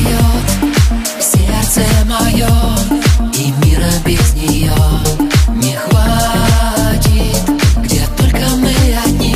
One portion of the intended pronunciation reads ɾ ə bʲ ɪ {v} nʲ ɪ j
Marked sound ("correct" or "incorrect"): incorrect